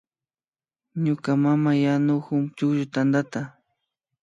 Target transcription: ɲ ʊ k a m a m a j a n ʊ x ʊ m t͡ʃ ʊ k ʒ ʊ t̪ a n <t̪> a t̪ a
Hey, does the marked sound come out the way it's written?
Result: no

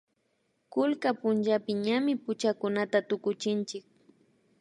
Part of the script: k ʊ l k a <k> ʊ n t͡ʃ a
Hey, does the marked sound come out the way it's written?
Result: no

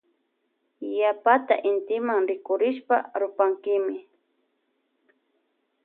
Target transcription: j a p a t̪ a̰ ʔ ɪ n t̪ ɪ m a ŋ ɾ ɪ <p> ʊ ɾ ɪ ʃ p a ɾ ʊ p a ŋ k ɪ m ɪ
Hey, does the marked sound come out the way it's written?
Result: no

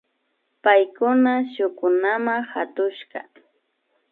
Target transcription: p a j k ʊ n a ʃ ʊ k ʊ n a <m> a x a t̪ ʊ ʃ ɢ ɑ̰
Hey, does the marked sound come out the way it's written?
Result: yes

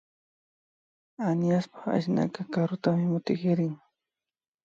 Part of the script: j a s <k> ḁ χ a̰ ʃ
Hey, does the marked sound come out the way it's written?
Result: no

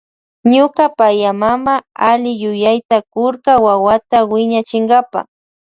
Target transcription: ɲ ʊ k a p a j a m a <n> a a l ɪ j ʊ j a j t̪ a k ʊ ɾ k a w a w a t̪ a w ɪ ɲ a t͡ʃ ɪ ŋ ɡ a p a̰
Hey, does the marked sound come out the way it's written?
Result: no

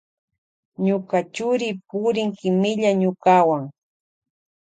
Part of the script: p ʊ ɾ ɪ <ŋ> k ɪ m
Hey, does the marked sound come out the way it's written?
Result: yes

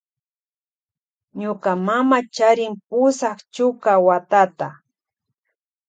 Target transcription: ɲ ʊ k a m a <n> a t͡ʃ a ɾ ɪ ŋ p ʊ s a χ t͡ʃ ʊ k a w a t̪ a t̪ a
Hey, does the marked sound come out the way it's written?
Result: no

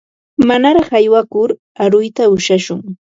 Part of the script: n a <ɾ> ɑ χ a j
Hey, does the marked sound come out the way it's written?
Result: yes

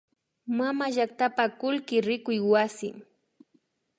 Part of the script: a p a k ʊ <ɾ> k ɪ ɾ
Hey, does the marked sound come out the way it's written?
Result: no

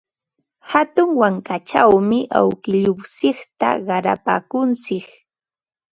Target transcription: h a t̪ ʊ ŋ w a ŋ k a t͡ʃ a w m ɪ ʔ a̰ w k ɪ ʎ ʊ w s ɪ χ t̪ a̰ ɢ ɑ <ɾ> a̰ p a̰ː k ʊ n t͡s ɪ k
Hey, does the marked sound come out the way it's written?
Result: yes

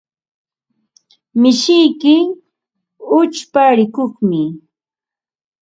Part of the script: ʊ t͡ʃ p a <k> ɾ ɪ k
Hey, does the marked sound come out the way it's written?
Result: no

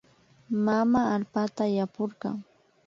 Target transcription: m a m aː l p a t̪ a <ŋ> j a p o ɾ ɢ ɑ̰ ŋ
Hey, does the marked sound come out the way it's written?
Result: no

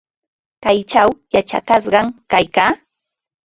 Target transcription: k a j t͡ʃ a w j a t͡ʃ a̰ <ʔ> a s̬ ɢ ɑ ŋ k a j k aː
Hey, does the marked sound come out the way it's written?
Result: no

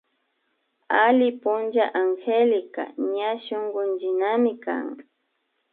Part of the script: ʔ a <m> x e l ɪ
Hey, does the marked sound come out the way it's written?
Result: no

